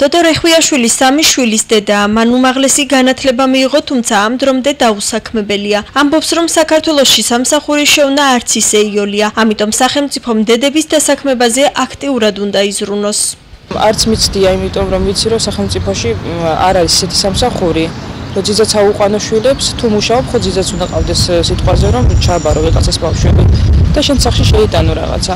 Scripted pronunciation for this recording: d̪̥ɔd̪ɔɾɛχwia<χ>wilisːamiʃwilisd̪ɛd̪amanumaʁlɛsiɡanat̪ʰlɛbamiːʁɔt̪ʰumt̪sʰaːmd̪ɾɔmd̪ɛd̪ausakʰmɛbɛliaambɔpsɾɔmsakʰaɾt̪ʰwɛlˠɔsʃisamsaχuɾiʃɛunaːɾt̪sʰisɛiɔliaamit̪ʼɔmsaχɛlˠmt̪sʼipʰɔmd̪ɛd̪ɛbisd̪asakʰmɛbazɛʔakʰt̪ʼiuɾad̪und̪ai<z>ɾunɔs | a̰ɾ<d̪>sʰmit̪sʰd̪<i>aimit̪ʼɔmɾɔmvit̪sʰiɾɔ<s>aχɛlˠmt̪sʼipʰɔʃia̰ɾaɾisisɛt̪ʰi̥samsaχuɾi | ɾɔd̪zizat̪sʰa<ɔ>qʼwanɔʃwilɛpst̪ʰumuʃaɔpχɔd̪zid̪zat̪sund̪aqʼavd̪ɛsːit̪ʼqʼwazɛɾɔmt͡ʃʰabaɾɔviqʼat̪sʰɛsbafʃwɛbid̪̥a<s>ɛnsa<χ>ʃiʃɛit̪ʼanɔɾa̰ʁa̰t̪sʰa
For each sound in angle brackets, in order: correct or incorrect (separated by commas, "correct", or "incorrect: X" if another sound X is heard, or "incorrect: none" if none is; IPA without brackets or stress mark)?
incorrect: ʃ, correct, incorrect: t̪, correct, correct, incorrect: u, incorrect: ʃ, correct